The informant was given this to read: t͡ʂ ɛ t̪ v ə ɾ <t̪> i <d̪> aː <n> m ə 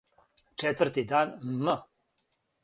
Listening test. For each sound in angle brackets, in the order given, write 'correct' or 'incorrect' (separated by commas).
correct, correct, correct